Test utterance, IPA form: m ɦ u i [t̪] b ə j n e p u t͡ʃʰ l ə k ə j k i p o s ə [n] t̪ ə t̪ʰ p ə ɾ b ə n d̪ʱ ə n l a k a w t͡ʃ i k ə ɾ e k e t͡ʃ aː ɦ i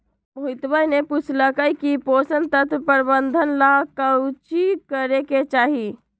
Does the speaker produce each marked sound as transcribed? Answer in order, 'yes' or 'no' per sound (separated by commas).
yes, yes